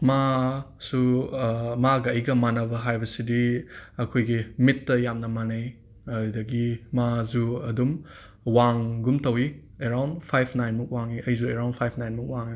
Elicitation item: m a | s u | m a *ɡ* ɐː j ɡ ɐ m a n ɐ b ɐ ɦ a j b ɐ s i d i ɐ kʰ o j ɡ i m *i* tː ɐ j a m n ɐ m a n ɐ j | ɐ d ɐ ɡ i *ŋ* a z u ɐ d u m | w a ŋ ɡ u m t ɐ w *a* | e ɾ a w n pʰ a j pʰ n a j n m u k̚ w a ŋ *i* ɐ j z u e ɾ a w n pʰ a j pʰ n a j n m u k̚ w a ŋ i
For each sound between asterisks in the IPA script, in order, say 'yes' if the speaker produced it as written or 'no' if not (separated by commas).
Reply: yes, yes, no, no, yes